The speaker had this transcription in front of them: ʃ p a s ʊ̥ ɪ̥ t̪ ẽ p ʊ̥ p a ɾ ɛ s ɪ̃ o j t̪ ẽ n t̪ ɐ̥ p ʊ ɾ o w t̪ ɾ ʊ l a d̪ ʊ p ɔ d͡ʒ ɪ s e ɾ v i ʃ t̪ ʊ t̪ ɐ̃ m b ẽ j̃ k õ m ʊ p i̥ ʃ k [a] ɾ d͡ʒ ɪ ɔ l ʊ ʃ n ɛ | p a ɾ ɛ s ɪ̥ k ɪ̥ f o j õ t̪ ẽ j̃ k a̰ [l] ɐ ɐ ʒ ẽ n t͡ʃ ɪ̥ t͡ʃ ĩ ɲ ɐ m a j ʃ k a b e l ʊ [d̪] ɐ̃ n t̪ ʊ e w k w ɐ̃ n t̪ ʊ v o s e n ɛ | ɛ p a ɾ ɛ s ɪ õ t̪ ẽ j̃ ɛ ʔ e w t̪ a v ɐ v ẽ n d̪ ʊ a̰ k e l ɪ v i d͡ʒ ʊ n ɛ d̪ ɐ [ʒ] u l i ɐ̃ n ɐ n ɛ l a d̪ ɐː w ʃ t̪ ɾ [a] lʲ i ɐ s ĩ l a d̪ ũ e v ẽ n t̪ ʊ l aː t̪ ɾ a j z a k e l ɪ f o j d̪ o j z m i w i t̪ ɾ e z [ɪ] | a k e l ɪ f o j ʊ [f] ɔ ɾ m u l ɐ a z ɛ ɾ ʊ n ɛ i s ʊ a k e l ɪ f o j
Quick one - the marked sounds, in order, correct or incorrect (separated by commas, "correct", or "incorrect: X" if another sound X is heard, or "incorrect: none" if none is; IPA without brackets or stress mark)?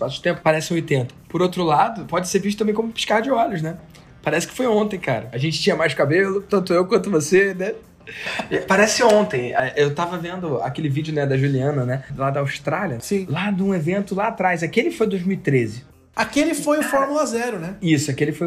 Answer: correct, incorrect: ɾ, incorrect: t̪, correct, correct, correct, correct